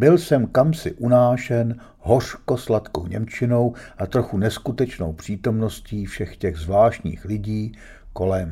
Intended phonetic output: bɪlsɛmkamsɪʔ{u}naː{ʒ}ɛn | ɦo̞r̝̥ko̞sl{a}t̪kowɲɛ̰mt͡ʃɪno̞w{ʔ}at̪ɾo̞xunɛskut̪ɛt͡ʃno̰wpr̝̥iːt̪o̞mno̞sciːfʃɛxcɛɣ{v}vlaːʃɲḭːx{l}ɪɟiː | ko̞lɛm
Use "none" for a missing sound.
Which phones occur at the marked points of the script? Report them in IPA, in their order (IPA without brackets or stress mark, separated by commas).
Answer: u, ʃ, a, ʔ, z, l